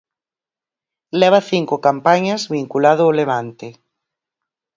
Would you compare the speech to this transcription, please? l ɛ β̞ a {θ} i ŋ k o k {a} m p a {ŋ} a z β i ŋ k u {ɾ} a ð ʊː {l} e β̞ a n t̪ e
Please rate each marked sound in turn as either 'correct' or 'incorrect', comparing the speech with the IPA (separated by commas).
correct, correct, incorrect, incorrect, correct